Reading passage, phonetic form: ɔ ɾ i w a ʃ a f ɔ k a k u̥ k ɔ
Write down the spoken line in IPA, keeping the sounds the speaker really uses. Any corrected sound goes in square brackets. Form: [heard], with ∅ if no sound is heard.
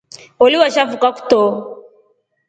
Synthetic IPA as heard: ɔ [l] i w a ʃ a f [u] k a k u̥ [t] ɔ